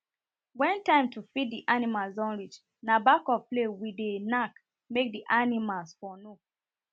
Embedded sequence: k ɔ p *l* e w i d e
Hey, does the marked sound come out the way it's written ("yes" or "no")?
yes